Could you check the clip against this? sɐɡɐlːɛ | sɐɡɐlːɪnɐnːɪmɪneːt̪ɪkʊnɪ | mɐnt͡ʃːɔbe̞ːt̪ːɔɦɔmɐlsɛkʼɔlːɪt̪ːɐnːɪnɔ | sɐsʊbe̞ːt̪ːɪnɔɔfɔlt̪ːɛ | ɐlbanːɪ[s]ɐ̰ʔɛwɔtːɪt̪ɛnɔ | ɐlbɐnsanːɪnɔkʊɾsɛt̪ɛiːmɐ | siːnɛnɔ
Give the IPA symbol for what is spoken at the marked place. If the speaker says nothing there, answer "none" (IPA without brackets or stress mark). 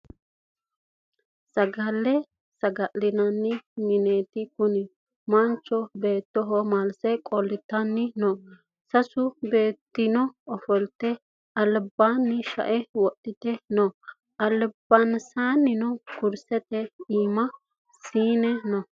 ʃ